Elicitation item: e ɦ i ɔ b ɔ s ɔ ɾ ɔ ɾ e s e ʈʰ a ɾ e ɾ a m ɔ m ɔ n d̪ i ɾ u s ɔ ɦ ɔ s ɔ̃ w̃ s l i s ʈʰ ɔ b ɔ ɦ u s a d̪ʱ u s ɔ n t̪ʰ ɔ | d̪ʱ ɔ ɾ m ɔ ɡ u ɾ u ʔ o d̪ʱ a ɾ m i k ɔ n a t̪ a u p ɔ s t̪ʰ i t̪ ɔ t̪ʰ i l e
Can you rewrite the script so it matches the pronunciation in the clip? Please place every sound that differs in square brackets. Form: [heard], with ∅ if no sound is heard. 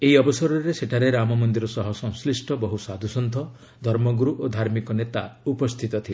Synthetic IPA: e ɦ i ɔ b ɔ s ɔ ɾ ɔ ɾ e s e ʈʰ a ɾ e ɾ a m ɔ m ɔ n d̪ i ɾ [ɔ] s ɔ ɦ ɔ s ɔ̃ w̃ s l i s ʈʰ ɔ b ɔ ɦ u s a d̪ʱ u s ɔ n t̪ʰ ɔ | d̪ʱ ɔ ɾ m ɔ ɡ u ɾ u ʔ o d̪ʱ a ɾ m i k ɔ n [e] t̪ a u p ɔ s t̪ʰ i t̪ ɔ t̪ʰ i l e